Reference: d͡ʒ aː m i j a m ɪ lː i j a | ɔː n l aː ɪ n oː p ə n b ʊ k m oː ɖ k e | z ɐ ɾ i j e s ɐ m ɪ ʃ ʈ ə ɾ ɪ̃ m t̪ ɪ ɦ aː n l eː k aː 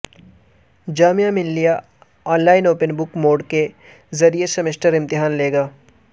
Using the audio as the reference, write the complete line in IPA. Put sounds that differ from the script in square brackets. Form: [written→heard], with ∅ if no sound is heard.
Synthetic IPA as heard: d͡ʒ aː m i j a m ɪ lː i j a | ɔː n l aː ɪ n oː p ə n b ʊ k m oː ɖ k e | z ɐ ɾ i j e s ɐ m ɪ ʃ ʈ ə ɾ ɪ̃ m t̪ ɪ ɦ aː n l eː [k→ɡ] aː